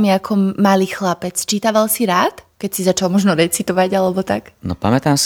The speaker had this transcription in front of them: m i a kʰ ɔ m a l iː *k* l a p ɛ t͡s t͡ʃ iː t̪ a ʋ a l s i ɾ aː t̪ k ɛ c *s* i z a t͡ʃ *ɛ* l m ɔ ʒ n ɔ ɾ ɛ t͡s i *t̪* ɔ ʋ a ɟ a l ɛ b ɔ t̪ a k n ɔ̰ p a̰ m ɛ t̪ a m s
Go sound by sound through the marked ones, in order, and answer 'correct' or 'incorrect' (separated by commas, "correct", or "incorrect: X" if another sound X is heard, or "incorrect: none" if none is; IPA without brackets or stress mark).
incorrect: x, correct, incorrect: a, correct